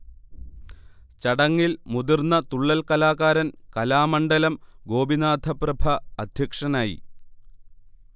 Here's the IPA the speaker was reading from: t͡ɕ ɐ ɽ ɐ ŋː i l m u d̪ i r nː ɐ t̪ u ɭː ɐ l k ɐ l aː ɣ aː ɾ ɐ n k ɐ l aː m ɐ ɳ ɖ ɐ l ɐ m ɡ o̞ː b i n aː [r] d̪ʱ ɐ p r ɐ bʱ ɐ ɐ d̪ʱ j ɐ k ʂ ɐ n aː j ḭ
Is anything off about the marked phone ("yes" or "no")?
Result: yes